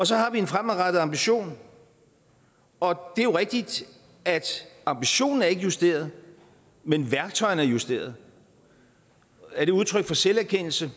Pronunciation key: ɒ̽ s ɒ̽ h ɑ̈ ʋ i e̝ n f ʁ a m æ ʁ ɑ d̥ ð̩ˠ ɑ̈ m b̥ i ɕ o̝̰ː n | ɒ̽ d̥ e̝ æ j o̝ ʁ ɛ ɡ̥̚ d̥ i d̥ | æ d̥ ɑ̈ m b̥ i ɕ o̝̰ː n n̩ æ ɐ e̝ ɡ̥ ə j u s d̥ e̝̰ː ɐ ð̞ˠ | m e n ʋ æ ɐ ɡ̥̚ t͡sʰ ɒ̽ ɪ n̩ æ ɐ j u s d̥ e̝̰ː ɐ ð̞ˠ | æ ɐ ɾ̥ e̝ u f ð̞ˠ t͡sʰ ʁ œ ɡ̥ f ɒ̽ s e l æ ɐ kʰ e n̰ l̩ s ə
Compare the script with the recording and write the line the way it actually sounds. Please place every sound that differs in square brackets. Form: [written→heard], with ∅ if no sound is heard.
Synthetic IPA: ɒ̽ s ɒ̽ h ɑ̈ ʋ i e̝ n f ʁ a m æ ʁ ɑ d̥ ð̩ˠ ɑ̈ m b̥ i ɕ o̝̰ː n | ɒ̽ d̥ e̝ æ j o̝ ʁ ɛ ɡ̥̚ d̥ i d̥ | æ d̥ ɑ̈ m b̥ i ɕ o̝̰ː n n̩ æ ɐ e̝ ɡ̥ ə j u s d̥ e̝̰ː ɐ ð̞ˠ | m e n ʋ æ ɐ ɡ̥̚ t͡sʰ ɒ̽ ɪ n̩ æ ɐ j u s d̥ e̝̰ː ɐ ð̞ˠ | æ ɐ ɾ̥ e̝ u [f→∅] ð̞ˠ t͡sʰ ʁ œ ɡ̥ f ɒ̽ s e l æ ɐ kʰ e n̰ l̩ s ə

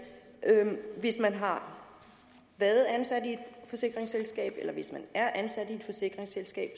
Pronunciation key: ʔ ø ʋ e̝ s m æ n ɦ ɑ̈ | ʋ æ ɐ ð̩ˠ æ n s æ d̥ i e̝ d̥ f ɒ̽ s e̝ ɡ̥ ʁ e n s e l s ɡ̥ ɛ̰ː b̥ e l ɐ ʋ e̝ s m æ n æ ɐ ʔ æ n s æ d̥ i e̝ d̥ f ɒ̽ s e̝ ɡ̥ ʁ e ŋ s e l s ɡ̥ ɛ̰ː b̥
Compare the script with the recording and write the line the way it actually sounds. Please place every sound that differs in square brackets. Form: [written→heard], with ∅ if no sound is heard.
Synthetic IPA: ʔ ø ʋ e̝ s m æ n ɦ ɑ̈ | ʋ æ ɐ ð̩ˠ æ n s æ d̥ i e̝ d̥ f ɒ̽ s e̝ ɡ̥ ʁ e [n→ŋ] s e l s ɡ̥ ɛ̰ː b̥ e l ɐ ʋ e̝ s m æ n æ ɐ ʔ æ n s æ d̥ i e̝ d̥ f ɒ̽ s e̝ ɡ̥ ʁ e ŋ s e l s ɡ̥ ɛ̰ː b̥

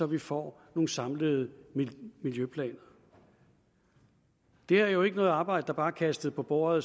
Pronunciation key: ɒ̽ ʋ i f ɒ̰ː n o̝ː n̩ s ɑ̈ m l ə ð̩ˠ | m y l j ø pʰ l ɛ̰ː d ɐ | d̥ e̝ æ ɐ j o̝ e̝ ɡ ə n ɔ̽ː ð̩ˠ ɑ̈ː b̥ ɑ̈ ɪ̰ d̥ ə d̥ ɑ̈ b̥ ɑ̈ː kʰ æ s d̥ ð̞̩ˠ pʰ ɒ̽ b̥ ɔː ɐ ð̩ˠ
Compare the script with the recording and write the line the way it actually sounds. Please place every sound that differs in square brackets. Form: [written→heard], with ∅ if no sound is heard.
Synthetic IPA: ɒ̽ ʋ i f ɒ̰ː n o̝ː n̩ s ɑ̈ m l ə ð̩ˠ | m [y→i] l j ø pʰ l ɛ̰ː [d→n] ɐ | d̥ e̝ æ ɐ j o̝ e̝ ɡ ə n ɔ̽ː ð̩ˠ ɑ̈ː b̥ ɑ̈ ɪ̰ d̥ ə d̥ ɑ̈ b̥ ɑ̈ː kʰ æ s d̥ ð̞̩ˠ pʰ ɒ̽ b̥ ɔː ɐ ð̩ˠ

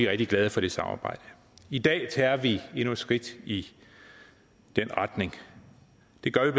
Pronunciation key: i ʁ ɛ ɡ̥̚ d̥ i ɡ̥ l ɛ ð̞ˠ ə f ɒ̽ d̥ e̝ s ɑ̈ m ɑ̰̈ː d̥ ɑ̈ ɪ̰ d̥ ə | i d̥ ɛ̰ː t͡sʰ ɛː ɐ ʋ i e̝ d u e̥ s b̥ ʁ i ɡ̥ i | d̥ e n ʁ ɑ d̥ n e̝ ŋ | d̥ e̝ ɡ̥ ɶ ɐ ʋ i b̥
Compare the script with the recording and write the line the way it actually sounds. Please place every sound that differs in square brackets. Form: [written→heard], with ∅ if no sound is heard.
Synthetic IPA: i ʁ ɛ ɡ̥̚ d̥ i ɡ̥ l ɛ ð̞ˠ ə f ɒ̽ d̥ e̝ s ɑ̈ m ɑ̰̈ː [d̥→b̥] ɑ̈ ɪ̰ d̥ ə | i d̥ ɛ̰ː t͡sʰ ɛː ɐ ʋ i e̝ [d→n] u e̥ s [b̥→ɡ̥] ʁ i [ɡ̥→d̥] i | d̥ e n ʁ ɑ d̥ n e̝ ŋ | d̥ e̝ ɡ̥ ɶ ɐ ʋ i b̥

